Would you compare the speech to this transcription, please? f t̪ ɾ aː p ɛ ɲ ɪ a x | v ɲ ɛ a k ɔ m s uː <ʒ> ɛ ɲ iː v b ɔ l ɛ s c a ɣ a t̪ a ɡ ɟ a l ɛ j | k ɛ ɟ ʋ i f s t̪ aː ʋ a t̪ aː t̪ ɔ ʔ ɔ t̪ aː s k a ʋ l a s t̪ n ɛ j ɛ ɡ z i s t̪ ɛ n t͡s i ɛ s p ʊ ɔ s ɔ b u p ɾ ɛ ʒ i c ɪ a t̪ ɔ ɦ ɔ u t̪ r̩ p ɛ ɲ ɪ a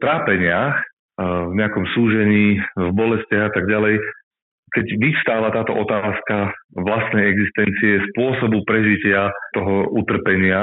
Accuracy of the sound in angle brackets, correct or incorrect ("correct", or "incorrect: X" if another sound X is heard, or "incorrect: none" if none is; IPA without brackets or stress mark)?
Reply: correct